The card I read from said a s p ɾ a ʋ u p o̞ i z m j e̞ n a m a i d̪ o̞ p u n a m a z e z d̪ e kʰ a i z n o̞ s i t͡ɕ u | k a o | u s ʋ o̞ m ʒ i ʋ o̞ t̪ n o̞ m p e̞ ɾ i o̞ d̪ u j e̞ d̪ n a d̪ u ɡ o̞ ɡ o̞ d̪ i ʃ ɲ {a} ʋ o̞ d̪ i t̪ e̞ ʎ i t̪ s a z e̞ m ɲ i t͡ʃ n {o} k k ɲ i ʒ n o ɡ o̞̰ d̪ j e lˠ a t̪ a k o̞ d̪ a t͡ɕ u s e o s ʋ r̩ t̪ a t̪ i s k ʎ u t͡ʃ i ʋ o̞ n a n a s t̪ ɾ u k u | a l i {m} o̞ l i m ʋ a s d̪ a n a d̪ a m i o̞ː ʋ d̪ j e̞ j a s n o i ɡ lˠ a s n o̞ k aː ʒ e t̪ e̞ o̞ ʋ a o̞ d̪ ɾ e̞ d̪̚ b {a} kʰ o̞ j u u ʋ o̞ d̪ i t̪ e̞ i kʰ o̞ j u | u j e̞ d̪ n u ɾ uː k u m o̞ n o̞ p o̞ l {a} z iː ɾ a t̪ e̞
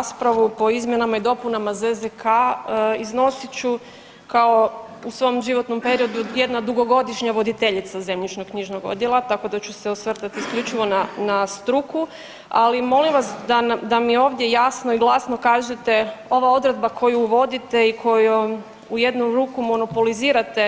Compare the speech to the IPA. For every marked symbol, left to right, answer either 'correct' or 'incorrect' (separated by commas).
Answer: correct, correct, correct, correct, incorrect